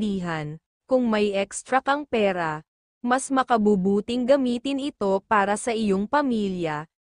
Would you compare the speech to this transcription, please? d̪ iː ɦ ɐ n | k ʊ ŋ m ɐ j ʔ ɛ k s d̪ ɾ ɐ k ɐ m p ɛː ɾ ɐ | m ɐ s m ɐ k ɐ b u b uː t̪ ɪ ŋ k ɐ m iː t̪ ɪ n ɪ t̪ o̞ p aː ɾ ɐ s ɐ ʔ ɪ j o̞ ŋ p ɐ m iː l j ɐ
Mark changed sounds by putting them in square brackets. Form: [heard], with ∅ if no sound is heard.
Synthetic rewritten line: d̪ iː ɦ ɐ n | k ʊ ŋ m ɐ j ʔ ɛ k s [t̪] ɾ ɐ k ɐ [ŋ] p ɛː ɾ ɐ | m ɐ s m ɐ k ɐ b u b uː t̪ ɪ ŋ [ɡ] ɐ m iː t̪ ɪ n ɪ t̪ o̞ p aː ɾ ɐ s ɐ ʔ ɪ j o̞ ŋ p ɐ m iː l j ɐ